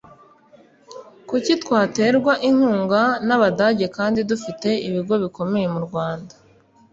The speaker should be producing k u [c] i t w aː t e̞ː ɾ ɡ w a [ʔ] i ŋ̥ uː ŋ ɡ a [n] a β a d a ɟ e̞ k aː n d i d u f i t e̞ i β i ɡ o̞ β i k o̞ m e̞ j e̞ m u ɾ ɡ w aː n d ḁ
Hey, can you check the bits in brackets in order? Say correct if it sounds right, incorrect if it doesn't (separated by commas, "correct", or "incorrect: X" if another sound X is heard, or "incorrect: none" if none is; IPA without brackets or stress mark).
correct, correct, correct